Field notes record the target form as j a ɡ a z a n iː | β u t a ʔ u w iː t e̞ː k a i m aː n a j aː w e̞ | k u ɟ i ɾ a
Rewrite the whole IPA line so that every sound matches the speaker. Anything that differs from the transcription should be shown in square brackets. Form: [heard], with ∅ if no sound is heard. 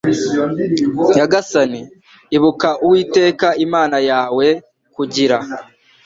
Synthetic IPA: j a ɡ a [s] a n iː | β u [k] a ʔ u w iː t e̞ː k a i m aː n a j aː w e̞ | k u ɟ i ɾ a